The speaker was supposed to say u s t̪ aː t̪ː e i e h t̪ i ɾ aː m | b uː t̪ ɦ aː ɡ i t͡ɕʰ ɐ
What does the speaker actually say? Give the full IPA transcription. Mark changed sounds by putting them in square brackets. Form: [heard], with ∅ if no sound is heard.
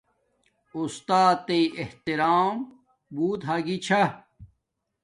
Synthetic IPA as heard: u s t̪ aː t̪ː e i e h t̪ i ɾ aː m | b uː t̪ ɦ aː ɡ i t͡ɕʰ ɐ